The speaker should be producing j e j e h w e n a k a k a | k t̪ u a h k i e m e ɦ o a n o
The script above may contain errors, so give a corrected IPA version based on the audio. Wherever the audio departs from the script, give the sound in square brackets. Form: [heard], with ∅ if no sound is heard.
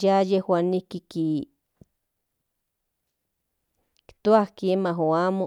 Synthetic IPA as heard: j [a] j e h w [a] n [i] k [i] k [i] | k t̪ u a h k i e m [a] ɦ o a [m] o